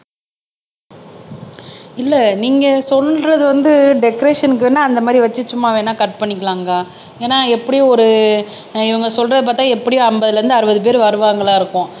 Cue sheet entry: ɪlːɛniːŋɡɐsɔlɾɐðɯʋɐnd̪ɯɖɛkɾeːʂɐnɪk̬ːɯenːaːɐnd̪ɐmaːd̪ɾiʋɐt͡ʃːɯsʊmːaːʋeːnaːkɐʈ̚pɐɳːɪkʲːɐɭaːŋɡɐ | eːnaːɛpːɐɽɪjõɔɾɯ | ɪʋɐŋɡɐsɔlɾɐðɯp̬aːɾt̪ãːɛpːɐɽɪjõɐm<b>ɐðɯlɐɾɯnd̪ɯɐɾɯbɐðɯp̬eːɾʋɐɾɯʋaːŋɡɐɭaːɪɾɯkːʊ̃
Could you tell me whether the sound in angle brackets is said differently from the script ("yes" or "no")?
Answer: no